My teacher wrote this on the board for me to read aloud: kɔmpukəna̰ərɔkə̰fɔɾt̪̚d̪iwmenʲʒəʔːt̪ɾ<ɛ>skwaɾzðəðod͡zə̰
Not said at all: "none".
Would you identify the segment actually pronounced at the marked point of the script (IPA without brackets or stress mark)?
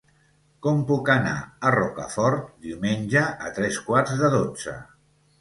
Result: ɛ